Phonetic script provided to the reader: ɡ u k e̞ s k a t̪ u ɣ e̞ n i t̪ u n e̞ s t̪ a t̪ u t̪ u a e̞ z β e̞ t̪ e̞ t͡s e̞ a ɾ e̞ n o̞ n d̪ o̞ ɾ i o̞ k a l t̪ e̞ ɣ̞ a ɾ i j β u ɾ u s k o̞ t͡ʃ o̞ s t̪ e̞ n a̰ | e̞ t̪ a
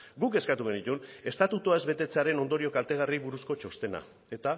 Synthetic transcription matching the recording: ɡ u k e̞ s k a t̪ u ɣ e̞ n i t̪ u n e̞ s t̪ a t̪ u t̪ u a e̞ z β e̞ t̪ e̞ t͡s e̞ a ɾ e̞ n o̞ n d̪ o̞ ɾ i o̞ k a l t̪ e̞ ɣ̞ a r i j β u ɾ u s k o̞ t͡ʃ o̞ s t̪ e̞ n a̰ | e̞ t̪ a